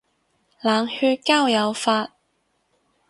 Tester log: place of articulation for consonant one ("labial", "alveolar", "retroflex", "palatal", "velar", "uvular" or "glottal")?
alveolar